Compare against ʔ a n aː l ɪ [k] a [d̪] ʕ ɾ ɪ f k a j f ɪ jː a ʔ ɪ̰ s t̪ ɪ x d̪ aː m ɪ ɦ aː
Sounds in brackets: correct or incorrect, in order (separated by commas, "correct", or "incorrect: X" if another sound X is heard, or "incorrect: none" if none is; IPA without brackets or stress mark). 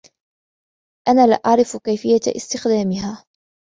incorrect: ʔ, incorrect: none